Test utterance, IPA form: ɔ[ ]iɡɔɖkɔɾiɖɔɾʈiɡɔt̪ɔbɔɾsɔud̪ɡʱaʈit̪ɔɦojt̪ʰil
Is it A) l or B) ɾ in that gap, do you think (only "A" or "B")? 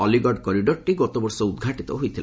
A